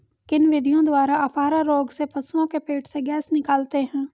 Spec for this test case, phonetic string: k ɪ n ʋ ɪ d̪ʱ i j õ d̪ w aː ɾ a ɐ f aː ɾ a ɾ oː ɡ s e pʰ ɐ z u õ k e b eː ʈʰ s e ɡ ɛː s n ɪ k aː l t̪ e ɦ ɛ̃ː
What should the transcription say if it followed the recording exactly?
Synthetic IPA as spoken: k ɪ n ʋ ɪ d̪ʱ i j õ d̪ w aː ɾ a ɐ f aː ɾ a ɾ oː ɡ s e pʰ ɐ s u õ k e p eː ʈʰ s e ɡ ɛː s n ɪ k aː l t̪ e ɦ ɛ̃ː